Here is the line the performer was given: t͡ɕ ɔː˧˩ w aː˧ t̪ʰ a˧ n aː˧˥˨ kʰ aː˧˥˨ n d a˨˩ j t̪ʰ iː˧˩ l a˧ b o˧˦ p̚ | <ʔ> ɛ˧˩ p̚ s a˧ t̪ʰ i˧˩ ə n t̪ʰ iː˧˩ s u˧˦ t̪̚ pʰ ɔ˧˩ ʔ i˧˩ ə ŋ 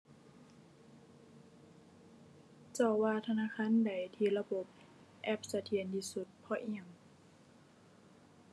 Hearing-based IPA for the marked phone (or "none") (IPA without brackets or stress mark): ʔ